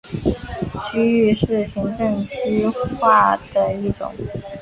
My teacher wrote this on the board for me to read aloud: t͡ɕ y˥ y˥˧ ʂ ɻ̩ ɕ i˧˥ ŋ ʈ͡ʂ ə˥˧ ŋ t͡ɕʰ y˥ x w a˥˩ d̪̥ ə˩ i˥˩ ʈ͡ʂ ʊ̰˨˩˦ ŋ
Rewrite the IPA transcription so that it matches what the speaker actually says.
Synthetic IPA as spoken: t͡ɕʰ y˥ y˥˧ ʂ ɻ̩ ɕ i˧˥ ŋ ʈ͡ʂ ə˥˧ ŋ t͡ɕʰ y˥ x w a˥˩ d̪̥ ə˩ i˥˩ ʈ͡ʂ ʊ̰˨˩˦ ŋ

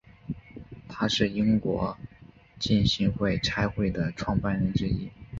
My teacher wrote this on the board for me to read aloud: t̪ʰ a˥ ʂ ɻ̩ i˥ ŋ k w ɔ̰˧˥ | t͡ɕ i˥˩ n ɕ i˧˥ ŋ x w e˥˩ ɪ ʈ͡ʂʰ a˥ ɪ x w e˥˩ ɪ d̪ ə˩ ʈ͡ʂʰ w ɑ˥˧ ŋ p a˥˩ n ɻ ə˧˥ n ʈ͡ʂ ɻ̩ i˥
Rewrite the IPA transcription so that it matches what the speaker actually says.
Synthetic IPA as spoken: t̪ʰ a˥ ʂ ɻ̩ i˥ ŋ k w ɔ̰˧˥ | t͡ɕ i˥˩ n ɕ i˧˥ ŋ x w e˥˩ ɪ ʈ͡ʂʰ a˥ ɪ x w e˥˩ ɪ d̪ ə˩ ʈ͡ʂʰ w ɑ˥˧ ŋ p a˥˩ n ɻ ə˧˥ n ʈ͡ʂ ɻ̩ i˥

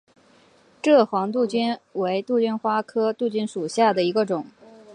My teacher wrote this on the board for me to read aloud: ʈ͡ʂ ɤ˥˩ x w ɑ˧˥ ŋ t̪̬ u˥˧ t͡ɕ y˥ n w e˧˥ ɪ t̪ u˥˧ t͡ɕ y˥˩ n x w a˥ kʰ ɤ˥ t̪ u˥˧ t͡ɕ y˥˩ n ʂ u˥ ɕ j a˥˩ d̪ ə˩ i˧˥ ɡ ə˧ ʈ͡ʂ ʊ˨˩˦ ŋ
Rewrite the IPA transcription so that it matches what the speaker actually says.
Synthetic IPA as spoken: ʈ͡ʂ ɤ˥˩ x w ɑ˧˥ ŋ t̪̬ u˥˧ t͡ɕ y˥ n w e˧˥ ɪ t̪ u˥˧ t͡ɕ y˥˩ n x w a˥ kʰ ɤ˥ t̪ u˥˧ t͡ɕ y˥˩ n ʂ u˨˩ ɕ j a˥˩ d̪ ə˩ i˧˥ ɡ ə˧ ʈ͡ʂ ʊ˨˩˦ ŋ

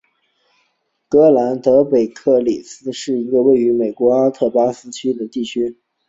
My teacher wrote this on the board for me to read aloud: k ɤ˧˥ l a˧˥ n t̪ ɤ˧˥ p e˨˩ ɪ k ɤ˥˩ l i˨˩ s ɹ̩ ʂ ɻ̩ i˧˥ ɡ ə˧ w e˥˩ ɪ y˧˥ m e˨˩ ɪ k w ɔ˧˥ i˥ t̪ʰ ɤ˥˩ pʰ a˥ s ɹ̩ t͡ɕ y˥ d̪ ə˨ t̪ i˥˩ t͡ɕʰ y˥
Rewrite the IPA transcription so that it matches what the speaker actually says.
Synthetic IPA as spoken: k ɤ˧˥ l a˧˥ n t̪ ɤ˧˥ p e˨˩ ɪ kʰ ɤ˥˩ l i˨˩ s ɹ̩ ʂ ɻ̩ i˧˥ ɡ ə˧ w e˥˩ ɪ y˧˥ m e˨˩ ɪ k w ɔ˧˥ a˥ t̪ʰ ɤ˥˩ p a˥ s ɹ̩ t͡ɕʰ y˥ d̪ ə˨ t̪ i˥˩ t͡ɕʰ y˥

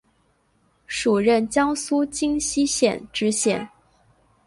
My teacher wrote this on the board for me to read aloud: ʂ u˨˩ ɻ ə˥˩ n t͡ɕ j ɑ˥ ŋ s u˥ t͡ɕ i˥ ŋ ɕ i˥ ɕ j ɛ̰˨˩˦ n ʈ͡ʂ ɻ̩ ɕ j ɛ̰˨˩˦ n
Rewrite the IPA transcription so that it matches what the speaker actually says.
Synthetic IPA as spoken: ʂ u˨˩ ɻ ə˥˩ n t͡ɕ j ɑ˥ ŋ s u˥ t͡ɕ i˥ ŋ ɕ i˥ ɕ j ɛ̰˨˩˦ n ʈ͡ʂ ɻ̩ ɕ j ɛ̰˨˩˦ n

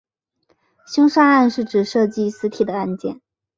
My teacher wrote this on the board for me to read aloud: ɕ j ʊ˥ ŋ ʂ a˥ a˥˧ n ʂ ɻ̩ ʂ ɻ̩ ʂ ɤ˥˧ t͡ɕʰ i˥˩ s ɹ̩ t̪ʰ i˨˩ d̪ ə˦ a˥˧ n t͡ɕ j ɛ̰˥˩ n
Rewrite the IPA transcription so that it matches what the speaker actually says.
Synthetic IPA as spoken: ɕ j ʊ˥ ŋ ʂ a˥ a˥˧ n ʂ ɻ̩ ʈ͡ʂ ɻ̩ ʂ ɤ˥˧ t͡ɕ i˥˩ s ɹ̩ t̪ʰ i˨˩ d̪ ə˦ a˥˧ n t͡ɕ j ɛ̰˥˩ n

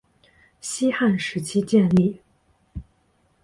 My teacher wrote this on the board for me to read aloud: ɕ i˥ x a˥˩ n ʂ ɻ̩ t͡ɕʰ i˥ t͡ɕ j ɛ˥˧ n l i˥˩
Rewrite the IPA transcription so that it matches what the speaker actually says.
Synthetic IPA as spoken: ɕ i˥ x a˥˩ n ʂ ɻ̩ t͡ɕʰ i˥ t͡ɕ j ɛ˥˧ n l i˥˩

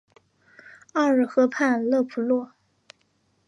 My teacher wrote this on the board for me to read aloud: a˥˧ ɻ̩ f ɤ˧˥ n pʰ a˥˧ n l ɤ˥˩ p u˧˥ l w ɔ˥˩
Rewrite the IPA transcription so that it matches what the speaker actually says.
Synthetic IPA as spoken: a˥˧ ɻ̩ x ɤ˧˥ pʰ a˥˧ n l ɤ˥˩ pʰ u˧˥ l w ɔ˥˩

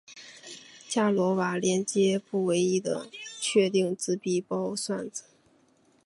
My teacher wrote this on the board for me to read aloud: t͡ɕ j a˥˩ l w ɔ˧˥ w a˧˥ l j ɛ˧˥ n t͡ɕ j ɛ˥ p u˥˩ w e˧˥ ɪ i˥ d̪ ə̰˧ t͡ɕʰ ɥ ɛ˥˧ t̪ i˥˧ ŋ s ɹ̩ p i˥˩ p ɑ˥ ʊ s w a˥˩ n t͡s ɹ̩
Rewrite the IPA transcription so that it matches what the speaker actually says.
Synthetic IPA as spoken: t͡ɕ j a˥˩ l w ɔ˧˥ w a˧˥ l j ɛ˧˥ n t͡ɕ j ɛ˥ p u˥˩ w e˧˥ ɪ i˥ d̪ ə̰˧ t͡ɕʰ ɥ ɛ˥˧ t̪ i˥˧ ŋ t͡s ɹ̩ p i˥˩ p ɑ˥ ʊ s w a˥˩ n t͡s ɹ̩

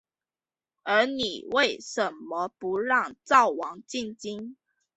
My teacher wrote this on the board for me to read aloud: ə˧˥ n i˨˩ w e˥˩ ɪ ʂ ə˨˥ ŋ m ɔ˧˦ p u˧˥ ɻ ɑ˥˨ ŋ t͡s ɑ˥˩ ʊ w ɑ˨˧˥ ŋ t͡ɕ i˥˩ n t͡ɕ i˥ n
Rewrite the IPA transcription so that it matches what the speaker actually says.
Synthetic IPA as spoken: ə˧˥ n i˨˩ w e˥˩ ɪ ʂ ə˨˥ n m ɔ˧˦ p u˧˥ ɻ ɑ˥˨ ŋ t͡s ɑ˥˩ ʊ w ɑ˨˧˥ ŋ t͡ɕ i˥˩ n t͡ɕ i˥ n

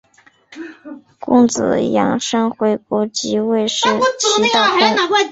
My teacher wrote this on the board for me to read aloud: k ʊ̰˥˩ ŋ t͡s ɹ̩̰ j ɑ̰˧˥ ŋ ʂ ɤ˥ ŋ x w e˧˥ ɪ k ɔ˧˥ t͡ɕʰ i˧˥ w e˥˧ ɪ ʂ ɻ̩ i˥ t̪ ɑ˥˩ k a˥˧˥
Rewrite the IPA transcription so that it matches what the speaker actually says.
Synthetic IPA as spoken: k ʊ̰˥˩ ŋ t͡s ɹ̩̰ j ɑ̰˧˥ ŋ ʂ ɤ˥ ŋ x w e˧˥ ɪ k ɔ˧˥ t͡ɕ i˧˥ w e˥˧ ɪ ʂ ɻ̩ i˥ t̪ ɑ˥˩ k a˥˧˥

